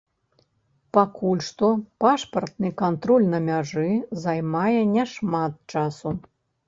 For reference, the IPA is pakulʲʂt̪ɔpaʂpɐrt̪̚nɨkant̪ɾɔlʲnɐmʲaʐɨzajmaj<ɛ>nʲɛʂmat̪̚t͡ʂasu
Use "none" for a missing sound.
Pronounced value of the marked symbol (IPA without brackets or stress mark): ɛ